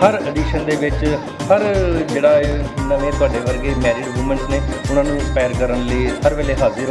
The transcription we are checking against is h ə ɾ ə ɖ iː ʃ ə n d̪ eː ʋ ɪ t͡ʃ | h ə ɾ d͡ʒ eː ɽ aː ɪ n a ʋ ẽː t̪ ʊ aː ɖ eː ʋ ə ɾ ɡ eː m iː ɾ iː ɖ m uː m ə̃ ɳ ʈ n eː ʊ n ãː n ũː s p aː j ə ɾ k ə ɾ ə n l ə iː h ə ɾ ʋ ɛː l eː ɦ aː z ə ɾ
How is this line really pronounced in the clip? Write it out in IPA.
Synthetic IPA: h ə ɾ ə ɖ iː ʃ ə n d̪ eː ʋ ɪ t͡ʃ | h ə ɾ d͡ʒ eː ɽ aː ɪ n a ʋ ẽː t̪ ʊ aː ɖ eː ʋ ə ɾ ɡ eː m ɛː ɾ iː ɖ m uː m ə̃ ɳ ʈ n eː ʊ n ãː n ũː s p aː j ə ɾ k ə ɾ ə n l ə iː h ə ɾ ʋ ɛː l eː ɦ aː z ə ɾ

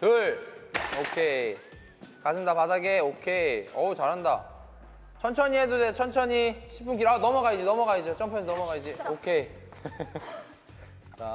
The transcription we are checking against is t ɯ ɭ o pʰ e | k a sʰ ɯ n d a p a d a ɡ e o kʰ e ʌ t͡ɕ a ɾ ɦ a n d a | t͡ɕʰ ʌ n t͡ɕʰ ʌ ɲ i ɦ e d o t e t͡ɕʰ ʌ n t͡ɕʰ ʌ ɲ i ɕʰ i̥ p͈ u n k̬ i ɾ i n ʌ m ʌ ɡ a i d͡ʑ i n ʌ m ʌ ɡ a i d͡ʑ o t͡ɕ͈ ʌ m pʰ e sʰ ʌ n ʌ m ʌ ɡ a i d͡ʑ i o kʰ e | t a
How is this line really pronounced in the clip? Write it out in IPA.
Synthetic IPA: t ɯ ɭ o kʰ e | k a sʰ ɯ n d a p a d a ɡ e o kʰ e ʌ t͡ɕ a ɾ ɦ a n d a | t͡ɕʰ ʌ n t͡ɕʰ ʌ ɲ i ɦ e d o d e t͡ɕʰ ʌ n t͡ɕʰ ʌ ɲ i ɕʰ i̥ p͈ u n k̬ i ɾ a n ʌ m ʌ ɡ a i d͡ʑ i n ʌ m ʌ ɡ a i d͡ʑ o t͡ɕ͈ ʌ m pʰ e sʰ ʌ n ʌ m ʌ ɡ a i d͡ʑ i o kʰ e | t͡ɕ a

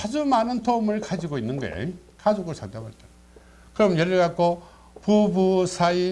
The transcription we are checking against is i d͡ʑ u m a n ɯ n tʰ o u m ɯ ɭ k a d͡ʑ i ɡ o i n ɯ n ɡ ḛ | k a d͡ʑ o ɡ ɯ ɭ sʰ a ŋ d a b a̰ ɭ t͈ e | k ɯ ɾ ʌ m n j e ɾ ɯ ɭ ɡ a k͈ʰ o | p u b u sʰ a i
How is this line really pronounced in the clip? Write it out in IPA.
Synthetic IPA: a d͡ʑ u m a n ɯ n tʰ o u m ɯ ɭ k a d͡ʑ i ɡ o i nː ɯ n ɡ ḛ | k a d͡ʑ o ɡ ɯ ɭ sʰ a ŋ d a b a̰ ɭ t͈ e | k ɯ ɾ ʌ m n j e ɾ ɯ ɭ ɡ a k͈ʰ o | p u b u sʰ a i

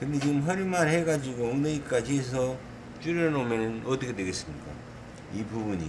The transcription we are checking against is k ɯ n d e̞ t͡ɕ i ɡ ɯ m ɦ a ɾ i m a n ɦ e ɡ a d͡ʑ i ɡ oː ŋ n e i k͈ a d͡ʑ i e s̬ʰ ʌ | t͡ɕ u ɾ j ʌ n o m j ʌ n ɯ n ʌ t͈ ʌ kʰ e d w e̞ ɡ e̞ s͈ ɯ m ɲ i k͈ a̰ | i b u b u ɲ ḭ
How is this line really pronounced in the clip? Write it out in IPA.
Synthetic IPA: k ɯ n d e̞ t͡ɕ i ɡ ɯ m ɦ ʌ ɾ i m a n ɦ e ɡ a d͡ʑ i ɡ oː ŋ n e i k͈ a d͡ʑ i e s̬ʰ ʌ | t͡ɕ u ɾ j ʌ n o m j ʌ n ɯ n ʌ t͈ ʌ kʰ e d w e̞ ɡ e̞ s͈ ɯ m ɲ i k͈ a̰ | i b u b u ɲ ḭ

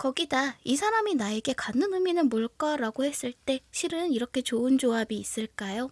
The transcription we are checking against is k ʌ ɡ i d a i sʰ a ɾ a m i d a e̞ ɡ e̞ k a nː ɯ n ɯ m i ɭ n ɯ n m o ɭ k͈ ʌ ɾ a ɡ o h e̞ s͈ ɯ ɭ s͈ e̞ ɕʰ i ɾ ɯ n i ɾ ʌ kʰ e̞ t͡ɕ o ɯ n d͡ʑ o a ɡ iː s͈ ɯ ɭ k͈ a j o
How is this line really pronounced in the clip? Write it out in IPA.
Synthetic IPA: k ʌ ɡ i d a i sʰ a ɾ a m i n a e̞ ɡ e̞ k a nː ɯ n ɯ m i n ɯ n m o ɭ k͈ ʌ ɾ a ɡ o h e̞ s͈ ɯ ɭ t͈ e̞ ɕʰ i ɾ ɯ n i ɾ ʌ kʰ e̞ t͡ɕ o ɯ n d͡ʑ o a b iː s͈ ɯ ɭ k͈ a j o

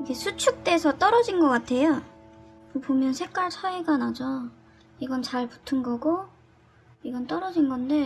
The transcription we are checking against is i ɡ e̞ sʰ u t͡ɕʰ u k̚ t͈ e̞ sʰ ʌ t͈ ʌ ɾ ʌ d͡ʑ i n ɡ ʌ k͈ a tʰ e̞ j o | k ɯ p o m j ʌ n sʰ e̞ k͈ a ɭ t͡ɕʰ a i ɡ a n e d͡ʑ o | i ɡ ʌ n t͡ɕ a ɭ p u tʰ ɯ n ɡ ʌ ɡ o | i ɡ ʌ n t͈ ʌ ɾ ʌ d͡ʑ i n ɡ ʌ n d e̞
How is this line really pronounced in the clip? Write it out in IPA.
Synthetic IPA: i ɡ e̞ sʰ u t͡ɕʰ u k̚ t͈ e̞ sʰ ʌ t͈ ʌ ɾ ʌ d͡ʑ i n ɡ ʌ k͈ a tʰ e̞ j o | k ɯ p o m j ʌ n sʰ e̞ k͈ a ɭ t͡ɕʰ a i ɡ a n a d͡ʑ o | i ɡ ʌ n t͡ɕ a ɭ p u tʰ ɯ n ɡ ʌ ɡ o | i ɡ ʌ n t͈ ʌ ɾ ʌ d͡ʑ i n ɡ ʌ n d e̞

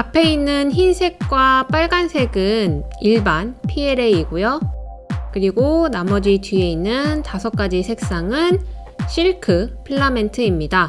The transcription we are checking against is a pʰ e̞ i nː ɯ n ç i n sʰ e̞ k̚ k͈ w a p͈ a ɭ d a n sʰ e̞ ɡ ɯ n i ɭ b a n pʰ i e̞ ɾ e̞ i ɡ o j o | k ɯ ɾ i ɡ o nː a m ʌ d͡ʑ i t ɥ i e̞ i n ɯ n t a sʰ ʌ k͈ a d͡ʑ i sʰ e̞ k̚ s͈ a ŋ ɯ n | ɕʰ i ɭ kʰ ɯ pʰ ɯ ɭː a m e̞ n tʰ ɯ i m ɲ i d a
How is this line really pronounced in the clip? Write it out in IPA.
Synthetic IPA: a pʰ e̞ i nː ɯ n ç i n sʰ e̞ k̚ k͈ w a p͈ a ɭ ɡ a n sʰ e̞ ɡ ɯ n i ɭ b a n pʰ i e̞ ɾ e̞ i ɡ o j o | k ɯ ɾ i ɡ o n a m ʌ d͡ʑ i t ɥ i e̞ i nː ɯ n t a sʰ ʌ k͈ a d͡ʑ i sʰ e̞ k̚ s͈ a ŋ ɯ n | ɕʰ i ɭ kʰ ɯ pʰ ɯ ɭː a m e̞ n tʰ ɯ i m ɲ i d a

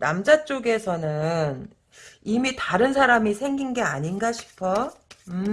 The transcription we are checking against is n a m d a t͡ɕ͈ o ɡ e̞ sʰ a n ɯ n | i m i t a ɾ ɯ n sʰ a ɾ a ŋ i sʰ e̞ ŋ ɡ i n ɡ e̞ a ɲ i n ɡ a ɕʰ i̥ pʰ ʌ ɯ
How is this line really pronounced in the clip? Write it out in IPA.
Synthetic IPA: n a m d͡ʑ a t͡ɕ͈ o ɡ e̞ sʰ ʌ n ɯ n | i m i t a ɾ ɯ n sʰ a ɾ a m i sʰ e̞ ŋ ɡ i n ɡ e̞ a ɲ i n ɡ a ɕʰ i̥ pʰ ʌ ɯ

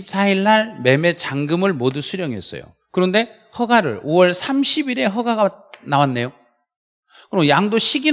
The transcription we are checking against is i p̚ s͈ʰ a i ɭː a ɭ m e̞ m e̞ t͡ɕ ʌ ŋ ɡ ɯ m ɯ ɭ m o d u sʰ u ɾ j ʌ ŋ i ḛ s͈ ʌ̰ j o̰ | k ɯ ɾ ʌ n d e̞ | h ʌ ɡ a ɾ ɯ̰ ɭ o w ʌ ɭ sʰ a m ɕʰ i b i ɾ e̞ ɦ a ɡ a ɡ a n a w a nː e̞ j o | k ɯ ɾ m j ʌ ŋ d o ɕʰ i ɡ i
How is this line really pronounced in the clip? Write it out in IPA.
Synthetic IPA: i p̚ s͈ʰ a i ɭː a ɭ m e̞ m e̞ t͡ɕ a ŋ ɡ ɯ m ɯ ɭ m o d u sʰ u ɾ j ʌ ŋ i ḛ s͈ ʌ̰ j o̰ | k ɯ ɾ ʌ n d e̞ | h ʌ ɡ a ɾ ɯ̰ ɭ o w ʌ ɭ sʰ a m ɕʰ i b i ɾ e̞ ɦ ʌ ɡ a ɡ a n a w a nː e̞ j o | k ɯ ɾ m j a ŋ d o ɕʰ i ɡ i

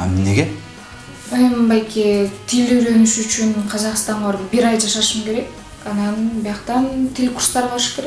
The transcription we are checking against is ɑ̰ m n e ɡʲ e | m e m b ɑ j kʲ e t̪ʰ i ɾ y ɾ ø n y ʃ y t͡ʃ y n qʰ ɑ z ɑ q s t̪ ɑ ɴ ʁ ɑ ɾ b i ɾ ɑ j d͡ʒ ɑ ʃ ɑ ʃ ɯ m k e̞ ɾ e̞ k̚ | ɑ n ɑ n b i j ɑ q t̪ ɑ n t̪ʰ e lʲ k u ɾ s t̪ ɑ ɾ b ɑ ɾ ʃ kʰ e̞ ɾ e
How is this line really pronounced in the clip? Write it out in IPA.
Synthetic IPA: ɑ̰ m n e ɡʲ e | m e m b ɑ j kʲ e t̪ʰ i l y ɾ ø n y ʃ y t͡ʃ y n qʰ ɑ z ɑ q s t̪ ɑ ɴ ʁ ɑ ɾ b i ɾ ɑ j d͡ʒ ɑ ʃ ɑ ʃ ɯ m k e̞ ɾ e̞ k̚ | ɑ n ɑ n b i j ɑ q t̪ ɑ n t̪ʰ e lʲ k u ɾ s t̪ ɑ ɾ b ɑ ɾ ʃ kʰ e̞ ɾ e

